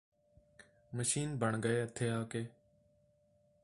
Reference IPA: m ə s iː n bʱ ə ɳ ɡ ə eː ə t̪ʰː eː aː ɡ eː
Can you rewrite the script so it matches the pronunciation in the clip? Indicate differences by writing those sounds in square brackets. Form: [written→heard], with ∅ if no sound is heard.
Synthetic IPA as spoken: m ə [s→ʃ] iː n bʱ ə ɳ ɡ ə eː ə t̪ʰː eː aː [ɡ→k] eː